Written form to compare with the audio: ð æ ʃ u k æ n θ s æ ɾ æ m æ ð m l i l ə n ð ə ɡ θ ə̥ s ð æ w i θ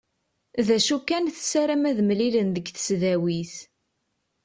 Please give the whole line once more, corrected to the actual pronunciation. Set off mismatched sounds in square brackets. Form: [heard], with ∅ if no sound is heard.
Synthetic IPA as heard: ð æ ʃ u k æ n θ s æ ɾ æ m æ ð m l i l ə n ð ə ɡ θ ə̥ s ð æ w i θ